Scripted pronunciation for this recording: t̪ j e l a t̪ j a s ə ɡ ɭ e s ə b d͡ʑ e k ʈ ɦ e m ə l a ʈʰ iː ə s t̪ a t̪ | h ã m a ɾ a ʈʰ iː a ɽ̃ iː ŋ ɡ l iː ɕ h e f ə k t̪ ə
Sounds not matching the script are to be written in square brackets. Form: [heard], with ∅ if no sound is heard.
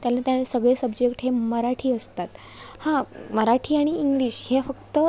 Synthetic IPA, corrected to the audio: t̪ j [a] l a t̪ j a s ə ɡ ɭ e s ə b d͡ʑ e k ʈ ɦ e m ə [ɾ] a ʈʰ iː ə s t̪ a t̪ | h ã m [ə] ɾ a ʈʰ iː a ɽ̃ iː ŋ ɡ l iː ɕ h e f ə k t̪ ə